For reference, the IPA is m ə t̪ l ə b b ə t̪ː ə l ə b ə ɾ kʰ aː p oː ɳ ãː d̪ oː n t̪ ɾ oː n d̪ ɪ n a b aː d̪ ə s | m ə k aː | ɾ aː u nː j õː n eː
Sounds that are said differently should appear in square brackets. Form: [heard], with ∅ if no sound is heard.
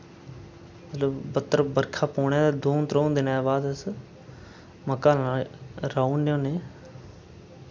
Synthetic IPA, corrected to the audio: m ə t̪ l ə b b ə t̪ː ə [ɾ] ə b ə ɾ kʰ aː p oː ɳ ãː d̪ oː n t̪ ɾ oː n d̪ ɪ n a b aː d̪ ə s | m ə k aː | ɾ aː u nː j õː n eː